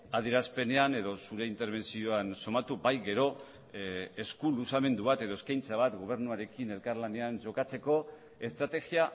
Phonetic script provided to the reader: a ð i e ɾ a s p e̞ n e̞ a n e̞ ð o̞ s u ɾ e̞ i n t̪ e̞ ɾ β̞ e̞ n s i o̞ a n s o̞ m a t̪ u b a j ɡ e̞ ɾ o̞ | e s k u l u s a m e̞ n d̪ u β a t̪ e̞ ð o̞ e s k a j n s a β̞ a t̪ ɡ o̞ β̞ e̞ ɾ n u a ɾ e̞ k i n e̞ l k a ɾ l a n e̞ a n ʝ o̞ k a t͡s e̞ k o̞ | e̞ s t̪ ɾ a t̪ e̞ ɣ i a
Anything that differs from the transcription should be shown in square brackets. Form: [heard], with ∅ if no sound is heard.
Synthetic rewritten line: a ð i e ɾ a s p e̞ n e̞ a n e̞ ð o̞ s u ɾ e̞ i n t̪ e̞ ɾ β̞ e̞ n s i o̞ a n s o̞ m a t̪ u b a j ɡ e̞ ɾ o̞ | e s k u l u s a m e̞ n d̪ u β a t̪ e̞ ð o̞ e s k a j n [t͡s] a β̞ a t̪ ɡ o̞ β̞ e̞ ɾ n u a ɾ e̞ k i n e̞ l k a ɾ l a n e̞ a n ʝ o̞ k a t͡s e̞ k o̞ | e̞ s t̪ ɾ a t̪ e̞ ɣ i a